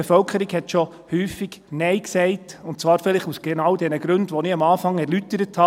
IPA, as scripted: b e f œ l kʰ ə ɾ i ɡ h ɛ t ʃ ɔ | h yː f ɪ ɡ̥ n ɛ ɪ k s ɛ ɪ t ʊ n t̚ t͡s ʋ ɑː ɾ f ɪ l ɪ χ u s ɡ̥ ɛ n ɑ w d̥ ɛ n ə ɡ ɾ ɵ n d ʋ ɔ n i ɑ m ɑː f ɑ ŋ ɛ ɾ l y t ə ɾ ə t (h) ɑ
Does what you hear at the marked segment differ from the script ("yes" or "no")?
no